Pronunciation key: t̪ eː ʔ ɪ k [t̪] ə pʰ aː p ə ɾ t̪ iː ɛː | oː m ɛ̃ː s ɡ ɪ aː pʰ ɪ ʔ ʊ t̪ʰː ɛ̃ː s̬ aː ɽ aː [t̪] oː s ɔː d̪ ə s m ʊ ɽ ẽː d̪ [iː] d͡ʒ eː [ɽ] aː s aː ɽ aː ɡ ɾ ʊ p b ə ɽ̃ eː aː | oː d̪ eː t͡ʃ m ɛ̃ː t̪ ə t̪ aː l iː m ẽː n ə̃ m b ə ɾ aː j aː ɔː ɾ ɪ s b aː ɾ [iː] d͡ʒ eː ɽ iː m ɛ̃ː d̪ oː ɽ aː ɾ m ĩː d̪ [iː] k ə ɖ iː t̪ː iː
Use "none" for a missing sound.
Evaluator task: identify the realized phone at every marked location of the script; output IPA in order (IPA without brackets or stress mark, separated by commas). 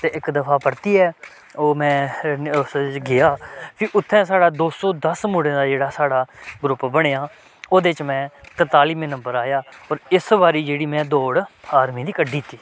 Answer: d̪, d̪, aː, ɽ, iː, iː